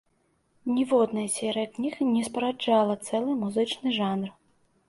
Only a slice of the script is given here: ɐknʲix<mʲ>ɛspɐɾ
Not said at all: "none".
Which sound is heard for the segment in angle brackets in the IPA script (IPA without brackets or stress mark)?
nʲ